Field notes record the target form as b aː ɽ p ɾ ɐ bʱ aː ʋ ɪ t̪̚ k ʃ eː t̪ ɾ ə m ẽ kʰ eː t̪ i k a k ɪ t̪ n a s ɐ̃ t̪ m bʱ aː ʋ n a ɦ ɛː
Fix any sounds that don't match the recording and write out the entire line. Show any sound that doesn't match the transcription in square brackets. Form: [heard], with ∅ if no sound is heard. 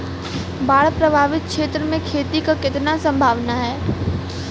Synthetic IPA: b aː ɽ p ɾ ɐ bʱ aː ʋ ɪ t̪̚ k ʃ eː t̪ ɾ ə m ẽ kʰ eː t̪ i k a k ɪ t̪ n a s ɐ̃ [∅] m bʱ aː ʋ n a ɦ ɛː

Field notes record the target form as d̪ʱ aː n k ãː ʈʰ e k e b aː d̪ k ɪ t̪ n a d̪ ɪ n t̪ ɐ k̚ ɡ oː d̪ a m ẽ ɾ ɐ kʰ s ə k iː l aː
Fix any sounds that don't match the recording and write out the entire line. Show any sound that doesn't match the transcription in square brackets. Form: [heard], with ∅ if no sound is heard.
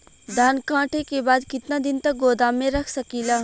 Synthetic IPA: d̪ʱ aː n k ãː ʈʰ e k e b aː d̪ k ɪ t̪ n a d̪ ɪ n t̪ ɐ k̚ ɡ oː d̪ a m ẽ ɾ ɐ kʰ s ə k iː l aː

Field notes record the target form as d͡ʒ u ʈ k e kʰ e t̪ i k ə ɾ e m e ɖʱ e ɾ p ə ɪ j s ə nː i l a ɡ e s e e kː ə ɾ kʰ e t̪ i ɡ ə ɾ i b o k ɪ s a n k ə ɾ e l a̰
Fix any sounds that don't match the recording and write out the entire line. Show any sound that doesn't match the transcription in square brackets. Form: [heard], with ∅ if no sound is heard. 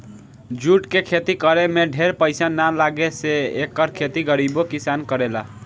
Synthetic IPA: d͡ʒ u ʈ k e kʰ e t̪ i k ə ɾ e m e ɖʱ e ɾ p ə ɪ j s [a] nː [a] l a ɡ e s e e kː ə ɾ kʰ e t̪ i ɡ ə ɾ i b o k [i] s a n k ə ɾ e l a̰

